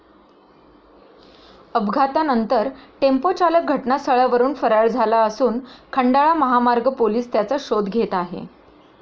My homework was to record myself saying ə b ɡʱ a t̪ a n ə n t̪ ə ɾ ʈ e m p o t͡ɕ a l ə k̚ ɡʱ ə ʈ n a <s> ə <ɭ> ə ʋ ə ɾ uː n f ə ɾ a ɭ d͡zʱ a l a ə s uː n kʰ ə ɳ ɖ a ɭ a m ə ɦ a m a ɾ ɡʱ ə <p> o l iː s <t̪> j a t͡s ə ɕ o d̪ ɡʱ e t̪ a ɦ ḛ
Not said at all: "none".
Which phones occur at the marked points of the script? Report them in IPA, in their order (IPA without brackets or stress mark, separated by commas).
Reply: s, ɭ, p, t̪